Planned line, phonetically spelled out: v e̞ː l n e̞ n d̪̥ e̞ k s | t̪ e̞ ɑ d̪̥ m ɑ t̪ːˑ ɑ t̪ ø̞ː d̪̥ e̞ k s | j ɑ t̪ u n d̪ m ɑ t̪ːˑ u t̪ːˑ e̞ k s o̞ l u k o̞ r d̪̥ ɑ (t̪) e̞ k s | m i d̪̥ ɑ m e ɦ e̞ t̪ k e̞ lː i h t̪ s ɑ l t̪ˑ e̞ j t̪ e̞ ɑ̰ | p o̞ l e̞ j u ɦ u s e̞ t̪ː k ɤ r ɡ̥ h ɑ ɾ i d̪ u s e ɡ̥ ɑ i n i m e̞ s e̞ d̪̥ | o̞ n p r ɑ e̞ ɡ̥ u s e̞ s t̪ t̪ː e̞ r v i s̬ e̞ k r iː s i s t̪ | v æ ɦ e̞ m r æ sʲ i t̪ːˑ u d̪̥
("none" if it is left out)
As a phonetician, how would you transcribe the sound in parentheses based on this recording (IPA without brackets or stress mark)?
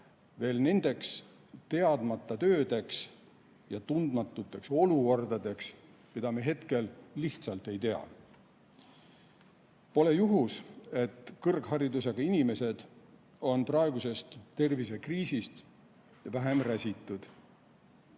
d̪